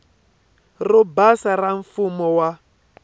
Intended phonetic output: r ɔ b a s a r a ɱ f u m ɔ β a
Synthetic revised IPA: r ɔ b a s a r a ɱ f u m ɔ w a

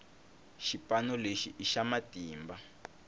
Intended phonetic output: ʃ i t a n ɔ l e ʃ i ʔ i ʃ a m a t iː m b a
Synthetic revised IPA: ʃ i p a n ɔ l e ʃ i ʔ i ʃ a m a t iː m b a

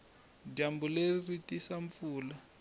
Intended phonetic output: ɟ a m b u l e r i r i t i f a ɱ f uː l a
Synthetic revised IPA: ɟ a m b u l e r i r i t i s a ɱ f uː l a

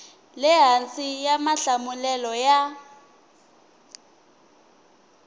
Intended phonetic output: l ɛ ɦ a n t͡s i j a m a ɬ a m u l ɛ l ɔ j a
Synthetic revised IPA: l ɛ ɦ a n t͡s i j a m a ɬ a m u l ɛ l ɔ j a

